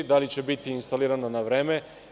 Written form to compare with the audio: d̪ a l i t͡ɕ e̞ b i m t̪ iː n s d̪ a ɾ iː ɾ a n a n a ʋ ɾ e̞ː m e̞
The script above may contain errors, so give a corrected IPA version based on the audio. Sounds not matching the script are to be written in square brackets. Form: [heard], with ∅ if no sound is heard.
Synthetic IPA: d̪ a l i t͡ɕ e̞ b i [∅] t̪ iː n s [t̪] a [l] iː ɾ a n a n a ʋ ɾ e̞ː m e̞

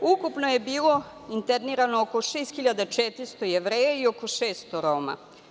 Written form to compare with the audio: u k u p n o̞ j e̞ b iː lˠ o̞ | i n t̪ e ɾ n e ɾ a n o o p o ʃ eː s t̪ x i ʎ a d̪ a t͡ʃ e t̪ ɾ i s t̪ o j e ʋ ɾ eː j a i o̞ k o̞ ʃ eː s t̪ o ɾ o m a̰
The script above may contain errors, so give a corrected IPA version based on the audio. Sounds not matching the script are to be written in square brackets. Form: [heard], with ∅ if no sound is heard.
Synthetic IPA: u k u p n o̞ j e̞ b iː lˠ o̞ | i n t̪ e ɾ n [i] ɾ a n o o [k] o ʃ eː s t̪ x i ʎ a d̪ a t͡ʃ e t̪ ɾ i s t̪ o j e ʋ ɾ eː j a i o̞ k o̞ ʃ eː s t̪ o ɾ o m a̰

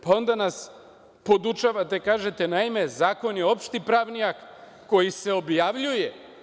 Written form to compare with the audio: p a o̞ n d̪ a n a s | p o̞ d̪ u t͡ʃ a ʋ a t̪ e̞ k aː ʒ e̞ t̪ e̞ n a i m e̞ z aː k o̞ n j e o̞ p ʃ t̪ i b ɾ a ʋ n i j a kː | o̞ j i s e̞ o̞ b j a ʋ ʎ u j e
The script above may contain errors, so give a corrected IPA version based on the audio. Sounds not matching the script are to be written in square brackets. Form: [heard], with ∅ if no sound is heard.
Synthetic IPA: p a o̞ n d̪ a n a s | p o̞ d̪ u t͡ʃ a ʋ a t̪ e̞ k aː ʒ e̞ t̪ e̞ n a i m e̞ z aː k o̞ n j e o̞ p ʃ t̪ i [p] ɾ a ʋ n i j a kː | o̞ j i s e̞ o̞ b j a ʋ ʎ u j e

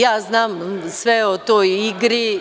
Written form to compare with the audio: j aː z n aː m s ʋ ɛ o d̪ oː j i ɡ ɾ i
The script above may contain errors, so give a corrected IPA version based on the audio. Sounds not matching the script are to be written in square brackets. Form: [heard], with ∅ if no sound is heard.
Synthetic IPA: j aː z n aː m s ʋ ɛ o [t̪] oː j i ɡ ɾ i

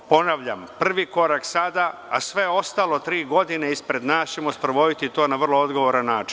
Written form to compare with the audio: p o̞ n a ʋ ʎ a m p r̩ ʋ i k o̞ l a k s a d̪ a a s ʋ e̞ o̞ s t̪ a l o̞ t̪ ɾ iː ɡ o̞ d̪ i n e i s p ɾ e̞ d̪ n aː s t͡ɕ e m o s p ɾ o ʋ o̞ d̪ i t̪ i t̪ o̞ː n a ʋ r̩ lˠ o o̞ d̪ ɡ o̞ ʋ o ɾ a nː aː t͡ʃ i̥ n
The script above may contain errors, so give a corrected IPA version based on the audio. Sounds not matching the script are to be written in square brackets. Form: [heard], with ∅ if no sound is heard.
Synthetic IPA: p o̞ n a ʋ ʎ a m p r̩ ʋ i k o̞ [ɾ] a k s a d̪ a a s ʋ e̞ o̞ s t̪ a l o̞ t̪ ɾ iː ɡ o̞ d̪ i n e i s p ɾ e̞ d̪ n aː s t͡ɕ e m o s p ɾ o ʋ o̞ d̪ i t̪ i t̪ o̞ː n a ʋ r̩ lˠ o o̞ d̪ ɡ o̞ ʋ o ɾ a nː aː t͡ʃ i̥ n

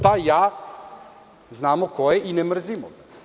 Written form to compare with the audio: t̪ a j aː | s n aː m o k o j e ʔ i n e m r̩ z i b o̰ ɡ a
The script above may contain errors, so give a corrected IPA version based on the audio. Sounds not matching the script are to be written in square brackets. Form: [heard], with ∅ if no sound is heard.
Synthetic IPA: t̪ a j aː | [z] n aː m o k o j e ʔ i n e m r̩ z i [m] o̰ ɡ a

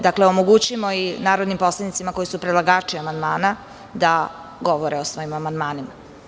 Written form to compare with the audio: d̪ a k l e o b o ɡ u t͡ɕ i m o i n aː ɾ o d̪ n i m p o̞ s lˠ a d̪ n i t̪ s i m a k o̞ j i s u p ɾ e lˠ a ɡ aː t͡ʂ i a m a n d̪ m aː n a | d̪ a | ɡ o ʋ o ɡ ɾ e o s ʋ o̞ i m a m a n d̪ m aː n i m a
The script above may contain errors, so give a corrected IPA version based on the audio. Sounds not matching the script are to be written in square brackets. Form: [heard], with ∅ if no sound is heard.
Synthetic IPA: d̪ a k l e o [m] o ɡ u t͡ɕ i m o i n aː ɾ o d̪ n i m p o̞ s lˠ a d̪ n i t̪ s i m a k o̞ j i s u p ɾ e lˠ a ɡ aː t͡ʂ i a m a n d̪ m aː n a | d̪ a | ɡ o ʋ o [∅] ɾ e o s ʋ o̞ i m a m a n d̪ m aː n i m a

